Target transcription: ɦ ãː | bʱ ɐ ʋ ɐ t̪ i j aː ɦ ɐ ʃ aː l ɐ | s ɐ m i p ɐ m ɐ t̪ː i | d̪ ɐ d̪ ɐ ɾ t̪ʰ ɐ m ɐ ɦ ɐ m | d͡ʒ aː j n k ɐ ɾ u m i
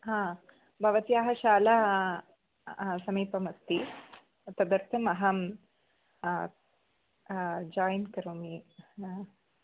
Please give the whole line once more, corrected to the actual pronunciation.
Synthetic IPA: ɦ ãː | bʱ ɐ ʋ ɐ t̪ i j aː ɦ ɐ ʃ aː l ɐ | s ɐ m iː p ɐ m ɐ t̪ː i | t̪ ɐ d̪ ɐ ɾ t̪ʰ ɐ m ɐ ɦ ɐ m | d͡ʒ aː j n k ɐ ɾ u m i

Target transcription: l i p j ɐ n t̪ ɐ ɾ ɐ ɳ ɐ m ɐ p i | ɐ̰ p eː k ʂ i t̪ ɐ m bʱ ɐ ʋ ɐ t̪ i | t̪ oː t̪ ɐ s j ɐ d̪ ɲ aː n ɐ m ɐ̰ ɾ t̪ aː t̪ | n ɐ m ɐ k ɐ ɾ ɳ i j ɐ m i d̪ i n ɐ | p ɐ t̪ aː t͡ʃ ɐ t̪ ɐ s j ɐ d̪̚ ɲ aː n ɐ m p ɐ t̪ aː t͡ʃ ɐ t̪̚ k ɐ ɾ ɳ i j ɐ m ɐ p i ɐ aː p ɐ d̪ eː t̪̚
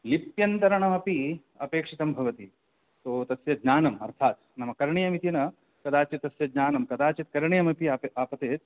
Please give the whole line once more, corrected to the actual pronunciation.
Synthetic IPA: l i p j ɐ n t̪ ɐ ɾ ɐ ɳ ɐ m ɐ p i | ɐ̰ p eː k ʂ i t̪ ɐ m bʱ ɐ ʋ ɐ t̪ i | t̪ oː t̪ ɐ s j ɐ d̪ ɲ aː n ɐ m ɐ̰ ɾ t̪ʰ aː t̪ | n ɐ m ɐ k ɐ ɾ ɳ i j ɐ m i t̪ i n ɐ | k ɐ d̪ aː t͡ʃ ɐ t̪ ɐ s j ɐ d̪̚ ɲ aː n ɐ m k ɐ d̪ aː t͡ʃ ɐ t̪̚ k ɐ ɾ ɳ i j ɐ m ɐ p i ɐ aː p ɐ t̪ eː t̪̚

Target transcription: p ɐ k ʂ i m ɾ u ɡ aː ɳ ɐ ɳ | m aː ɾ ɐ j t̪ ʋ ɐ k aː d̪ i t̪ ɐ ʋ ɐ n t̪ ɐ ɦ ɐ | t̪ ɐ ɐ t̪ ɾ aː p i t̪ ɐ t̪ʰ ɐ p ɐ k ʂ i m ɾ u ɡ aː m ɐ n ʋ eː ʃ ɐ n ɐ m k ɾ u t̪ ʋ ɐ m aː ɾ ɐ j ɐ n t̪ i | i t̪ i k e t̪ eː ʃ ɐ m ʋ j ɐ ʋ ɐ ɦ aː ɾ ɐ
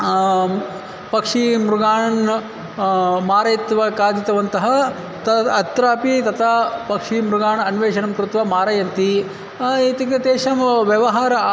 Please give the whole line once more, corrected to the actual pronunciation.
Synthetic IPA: p ɐ k ʂ i m ɾ u ɡ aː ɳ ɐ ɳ | m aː ɾ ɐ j t̪ ʋ ɐ k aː d̪ i t̪ ɐ ʋ ɐ n t̪ ɐ ɦ ɐ | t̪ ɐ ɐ t̪ ɾ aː p i t̪ ɐ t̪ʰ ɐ p ɐ k ʂ i m ɾ u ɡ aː ɳ ɐ n ʋ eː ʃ ɐ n ɐ m k ɾ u t̪ ʋ ɐ m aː ɾ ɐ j ɐ n t̪ i | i t̪ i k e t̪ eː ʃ ɐ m ʋ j ɐ ʋ ɐ ɦ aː ɾ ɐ

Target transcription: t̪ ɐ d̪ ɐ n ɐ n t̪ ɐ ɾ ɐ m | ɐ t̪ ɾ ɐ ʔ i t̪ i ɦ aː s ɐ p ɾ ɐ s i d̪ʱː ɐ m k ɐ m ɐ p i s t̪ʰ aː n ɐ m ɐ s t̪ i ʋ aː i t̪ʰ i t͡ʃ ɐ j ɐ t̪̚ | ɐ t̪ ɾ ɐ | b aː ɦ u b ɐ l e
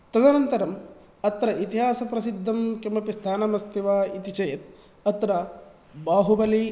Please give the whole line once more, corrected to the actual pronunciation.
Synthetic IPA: t̪ ɐ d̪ ɐ n ɐ n t̪ ɐ ɾ ɐ m | ɐ t̪ ɾ ɐ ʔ i t̪ i ɦ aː s ɐ p ɾ ɐ s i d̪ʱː ɐ m k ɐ m ɐ p i s t̪ʰ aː n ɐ m ɐ s t̪ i ʋ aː i t̪ i t͡ʃ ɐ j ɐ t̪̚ | ɐ t̪ ɾ ɐ | b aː ɦ u b ɐ l i

